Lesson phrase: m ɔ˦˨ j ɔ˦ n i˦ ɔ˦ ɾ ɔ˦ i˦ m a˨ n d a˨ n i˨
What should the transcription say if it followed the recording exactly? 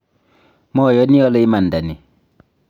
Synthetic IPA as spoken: m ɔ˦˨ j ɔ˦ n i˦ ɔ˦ l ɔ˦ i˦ m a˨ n d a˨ n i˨